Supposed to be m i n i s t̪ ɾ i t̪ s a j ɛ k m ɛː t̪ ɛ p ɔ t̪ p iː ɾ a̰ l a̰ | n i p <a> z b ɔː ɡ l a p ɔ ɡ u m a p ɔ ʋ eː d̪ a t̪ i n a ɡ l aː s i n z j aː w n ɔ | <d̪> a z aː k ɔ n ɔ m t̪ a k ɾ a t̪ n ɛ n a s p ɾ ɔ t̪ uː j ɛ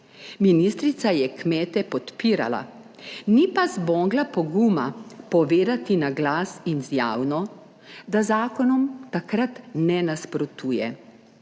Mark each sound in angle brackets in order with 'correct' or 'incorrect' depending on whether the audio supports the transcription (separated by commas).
correct, correct